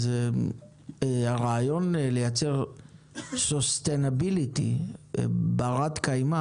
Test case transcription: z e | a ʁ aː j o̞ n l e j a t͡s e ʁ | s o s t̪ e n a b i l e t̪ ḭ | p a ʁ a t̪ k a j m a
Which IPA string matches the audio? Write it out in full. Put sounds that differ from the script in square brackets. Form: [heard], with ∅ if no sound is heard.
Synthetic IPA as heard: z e | a ʁ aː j o̞ n l e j a t͡s e ʁ | s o s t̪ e n a b i l [i] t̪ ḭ | [b] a ʁ a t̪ k a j m a